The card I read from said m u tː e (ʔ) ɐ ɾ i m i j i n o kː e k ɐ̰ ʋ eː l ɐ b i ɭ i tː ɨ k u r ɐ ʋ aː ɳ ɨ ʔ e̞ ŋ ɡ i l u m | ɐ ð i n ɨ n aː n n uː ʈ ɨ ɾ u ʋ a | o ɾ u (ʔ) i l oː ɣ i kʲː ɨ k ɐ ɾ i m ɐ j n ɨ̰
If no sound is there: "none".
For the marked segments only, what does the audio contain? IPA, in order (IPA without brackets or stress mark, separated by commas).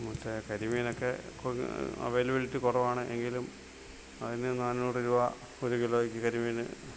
k, k